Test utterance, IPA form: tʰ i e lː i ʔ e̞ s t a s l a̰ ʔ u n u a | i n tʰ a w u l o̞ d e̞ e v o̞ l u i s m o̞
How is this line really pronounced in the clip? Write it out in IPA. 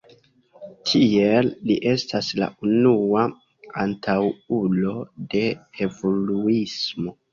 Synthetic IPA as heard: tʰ i e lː i ʔ e̞ s t a s l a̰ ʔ u n u a | a n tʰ a w u l o̞ d e̞ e v o̞ l u i s m o̞

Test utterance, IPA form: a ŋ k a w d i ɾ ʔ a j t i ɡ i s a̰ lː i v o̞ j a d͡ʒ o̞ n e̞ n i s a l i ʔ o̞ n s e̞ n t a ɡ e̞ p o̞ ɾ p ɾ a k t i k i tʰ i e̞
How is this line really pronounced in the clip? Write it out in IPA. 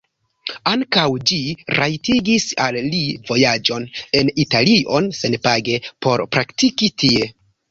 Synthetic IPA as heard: a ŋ k a w d͡ʒ i ɾ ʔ a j t i ɡ i s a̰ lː i v o̞ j a d͡ʒ o̞ n e̞ n i t a l i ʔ o̞ n s e̞ n p a ɡ e̞ p o̞ ɾ p ɾ a k t i k i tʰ i e̞

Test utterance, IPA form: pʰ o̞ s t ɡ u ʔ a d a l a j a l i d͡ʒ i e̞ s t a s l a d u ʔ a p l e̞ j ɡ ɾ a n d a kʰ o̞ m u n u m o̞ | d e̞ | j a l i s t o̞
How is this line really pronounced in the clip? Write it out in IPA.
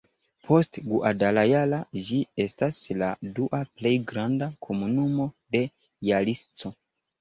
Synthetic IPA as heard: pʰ o̞ s t ɡ u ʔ a d a l a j a l a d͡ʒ i e̞ s t a s l a d u ʔ a p l e̞ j ɡ ɾ a n d a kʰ o̞ m u n u m o̞ | d e̞ | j a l i s t͡s o̞

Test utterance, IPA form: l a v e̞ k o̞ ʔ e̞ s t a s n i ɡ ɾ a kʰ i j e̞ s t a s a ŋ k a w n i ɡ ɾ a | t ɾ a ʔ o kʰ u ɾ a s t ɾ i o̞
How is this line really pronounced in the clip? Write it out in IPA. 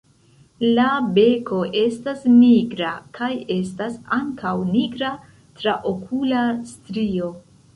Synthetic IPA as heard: l a b e̞ k o̞ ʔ e̞ s t a s n i ɡ ɾ a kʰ a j e̞ s t a s a ŋ k a w n i ɡ ɾ a | t ɾ a ʔ o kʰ u l a s t ɾ i o̞

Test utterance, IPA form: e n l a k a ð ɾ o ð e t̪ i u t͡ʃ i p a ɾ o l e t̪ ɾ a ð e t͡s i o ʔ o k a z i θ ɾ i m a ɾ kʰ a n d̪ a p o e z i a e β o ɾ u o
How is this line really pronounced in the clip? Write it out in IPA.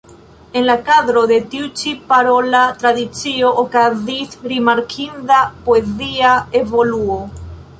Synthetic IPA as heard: e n l a k a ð ɾ o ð e t̪ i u t͡ʃ i p a ɾ o l a t̪ ɾ a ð i t͡s i o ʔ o k a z i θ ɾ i m a ɾ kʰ i n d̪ a p o e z i a e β o l u o

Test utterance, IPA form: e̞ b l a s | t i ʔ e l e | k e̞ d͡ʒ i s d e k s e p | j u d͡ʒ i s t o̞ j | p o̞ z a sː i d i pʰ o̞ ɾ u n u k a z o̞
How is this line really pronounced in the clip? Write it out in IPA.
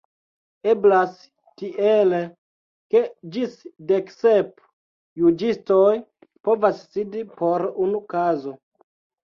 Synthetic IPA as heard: e̞ b l a s | t i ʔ e l e | k e̞ d͡ʒ i s d e k s e p | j u d͡ʒ i s t o̞ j | p o̞ v a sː i d i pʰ o̞ ɾ u n u k a z o̞

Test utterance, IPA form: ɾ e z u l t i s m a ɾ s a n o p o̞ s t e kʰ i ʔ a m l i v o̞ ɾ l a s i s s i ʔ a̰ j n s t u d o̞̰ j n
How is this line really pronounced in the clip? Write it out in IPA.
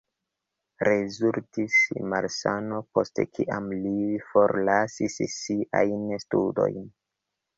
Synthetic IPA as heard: ɾ e z u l t i s m a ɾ s a n o p o̞ s t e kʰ i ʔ a m l i f o̞ ɾ l a s i s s i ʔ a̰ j n s t u d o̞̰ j n

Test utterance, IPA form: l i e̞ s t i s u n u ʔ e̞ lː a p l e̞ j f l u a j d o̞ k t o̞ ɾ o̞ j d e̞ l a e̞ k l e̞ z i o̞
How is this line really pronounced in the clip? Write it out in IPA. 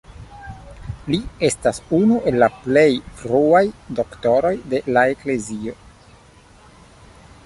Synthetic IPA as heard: l i e̞ s t a s u n u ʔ e̞ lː a p l e̞ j f ɾ u a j d o̞ k t o̞ ɾ o̞ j d e̞ l a e̞ k l e̞ z i o̞

